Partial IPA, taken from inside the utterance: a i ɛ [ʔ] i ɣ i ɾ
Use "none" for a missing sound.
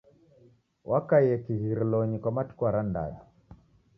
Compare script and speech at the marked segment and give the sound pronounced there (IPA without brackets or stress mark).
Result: k